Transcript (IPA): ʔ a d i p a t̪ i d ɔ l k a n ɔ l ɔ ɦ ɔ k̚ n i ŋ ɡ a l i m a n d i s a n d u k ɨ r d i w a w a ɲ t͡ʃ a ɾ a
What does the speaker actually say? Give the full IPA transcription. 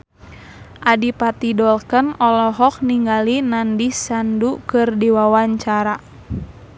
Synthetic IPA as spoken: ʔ a d i p a t̪ i d ɔ l k ə n ɔ l ɔ ɦ ɔ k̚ n i ŋ ɡ a l i n a n d i s a n d u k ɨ r d i w a w a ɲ t͡ʃ a ɾ a

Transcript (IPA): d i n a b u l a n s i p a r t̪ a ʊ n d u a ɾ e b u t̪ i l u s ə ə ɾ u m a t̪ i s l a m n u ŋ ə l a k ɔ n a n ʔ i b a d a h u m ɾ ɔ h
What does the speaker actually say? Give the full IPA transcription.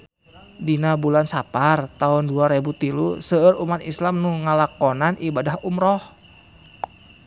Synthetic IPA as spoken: d i n a b u l a n s a p a r t̪ a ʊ n d u a ɾ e b u t̪ i l u s ə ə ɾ u m a t̪ i s l a m n u ŋ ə l a k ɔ n a n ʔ i b a d a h u m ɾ ɔ h

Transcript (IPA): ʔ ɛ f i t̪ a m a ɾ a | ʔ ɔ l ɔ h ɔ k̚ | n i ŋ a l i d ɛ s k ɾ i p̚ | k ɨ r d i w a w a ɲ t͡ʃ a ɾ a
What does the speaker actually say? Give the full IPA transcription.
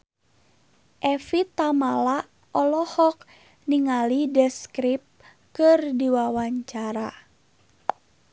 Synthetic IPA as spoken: ʔ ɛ f i t̪ a m a l a | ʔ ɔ l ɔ h ɔ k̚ | n i ŋ a l i d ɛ s k ɾ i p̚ | k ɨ r d i w a w a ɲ t͡ʃ a ɾ a

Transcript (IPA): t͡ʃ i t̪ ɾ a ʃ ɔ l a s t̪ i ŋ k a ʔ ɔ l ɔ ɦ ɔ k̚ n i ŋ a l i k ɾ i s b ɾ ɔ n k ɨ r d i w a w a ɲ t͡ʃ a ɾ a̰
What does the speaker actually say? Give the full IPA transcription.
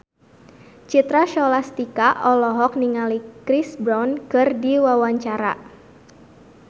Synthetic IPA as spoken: t͡ʃ i t̪ ɾ a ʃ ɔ l a s t̪ i k a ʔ ɔ l ɔ ɦ ɔ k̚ n i ŋ a l i k ɾ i s b ɾ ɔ n k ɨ r d i w a w a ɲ t͡ʃ a ɾ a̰

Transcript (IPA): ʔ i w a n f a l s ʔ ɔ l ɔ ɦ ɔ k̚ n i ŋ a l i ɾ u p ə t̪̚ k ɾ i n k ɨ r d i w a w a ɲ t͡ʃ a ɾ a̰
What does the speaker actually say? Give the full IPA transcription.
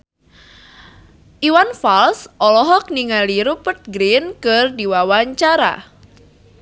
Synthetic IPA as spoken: ʔ i w a n f a l s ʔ ɔ l ɔ ɦ ɔ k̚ n i ŋ a l i ɾ u p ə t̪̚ ɡ ɾ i n k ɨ r d i w a w a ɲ t͡ʃ a ɾ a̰

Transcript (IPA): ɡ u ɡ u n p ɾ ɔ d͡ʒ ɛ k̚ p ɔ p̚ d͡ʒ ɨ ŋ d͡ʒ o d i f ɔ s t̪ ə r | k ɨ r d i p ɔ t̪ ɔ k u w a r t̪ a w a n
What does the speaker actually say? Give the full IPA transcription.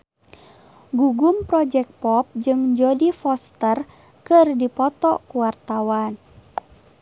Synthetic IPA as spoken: ɡ u ɡ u m p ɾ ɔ d͡ʒ ɛ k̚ p ɔ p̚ d͡ʒ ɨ ŋ d͡ʒ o d i f ɔ s t̪ ə r | k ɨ r d i p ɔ t̪ ɔ k u w a r t̪ a w a n

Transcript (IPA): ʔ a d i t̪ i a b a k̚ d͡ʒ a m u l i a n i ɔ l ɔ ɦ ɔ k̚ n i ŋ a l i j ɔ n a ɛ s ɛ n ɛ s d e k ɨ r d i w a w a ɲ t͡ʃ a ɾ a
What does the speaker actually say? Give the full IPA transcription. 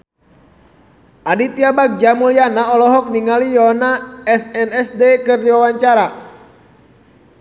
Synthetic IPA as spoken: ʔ a d i t̪ i a b a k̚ d͡ʒ a m u l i a n a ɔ l ɔ ɦ ɔ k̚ n i ŋ a l i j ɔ n a ɛ s ɛ n ɛ s d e k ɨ r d i w a w a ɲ t͡ʃ a ɾ a

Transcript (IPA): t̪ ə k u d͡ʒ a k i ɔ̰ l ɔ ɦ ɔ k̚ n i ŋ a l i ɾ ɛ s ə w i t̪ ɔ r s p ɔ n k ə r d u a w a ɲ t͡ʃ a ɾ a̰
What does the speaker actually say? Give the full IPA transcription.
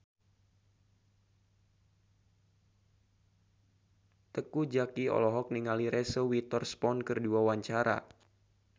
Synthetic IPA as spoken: t̪ ə k u d͡ʒ a k i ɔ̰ l ɔ ɦ ɔ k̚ n i ŋ a l i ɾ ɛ s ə w i t̪ ɔ r s p ɔ n k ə r d u a w a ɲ t͡ʃ a ɾ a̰

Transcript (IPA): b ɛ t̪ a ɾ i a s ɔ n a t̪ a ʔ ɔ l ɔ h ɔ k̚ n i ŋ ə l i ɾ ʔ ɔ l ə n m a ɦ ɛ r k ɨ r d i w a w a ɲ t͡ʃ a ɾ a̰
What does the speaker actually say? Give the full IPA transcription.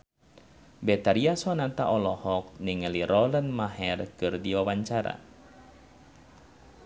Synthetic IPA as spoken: b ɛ t̪ a ɾ i a s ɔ n a t̪ a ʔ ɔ l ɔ h ɔ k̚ n i ŋ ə l i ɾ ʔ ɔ l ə n m a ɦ ɛ r k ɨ r d i w a w a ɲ t͡ʃ a ɾ a̰

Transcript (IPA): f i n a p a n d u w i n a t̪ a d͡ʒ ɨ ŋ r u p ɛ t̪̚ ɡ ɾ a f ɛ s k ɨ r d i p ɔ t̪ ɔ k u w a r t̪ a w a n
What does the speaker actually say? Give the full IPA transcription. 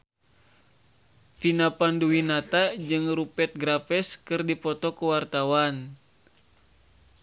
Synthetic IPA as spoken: f i n a p a n d u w i n a t̪ a d͡ʒ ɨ ŋ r u p ɛ t̪̚ ɡ ɾ a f ɛ s k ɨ r d i p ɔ t̪ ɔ k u w a r t̪ a w a n

